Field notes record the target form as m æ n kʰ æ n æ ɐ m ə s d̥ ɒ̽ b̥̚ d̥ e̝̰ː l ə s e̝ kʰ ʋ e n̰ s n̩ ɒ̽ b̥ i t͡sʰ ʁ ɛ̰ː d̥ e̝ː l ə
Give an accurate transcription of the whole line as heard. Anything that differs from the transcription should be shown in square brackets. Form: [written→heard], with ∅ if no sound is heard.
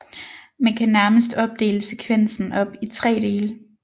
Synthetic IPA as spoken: m æ n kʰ æ n æ ɐ m ə s d̥ ɒ̽ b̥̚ d̥ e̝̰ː l ə s e̝ kʰ ʋ e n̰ s n̩ ɒ̽ b̥ i t͡sʰ ʁ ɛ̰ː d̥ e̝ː l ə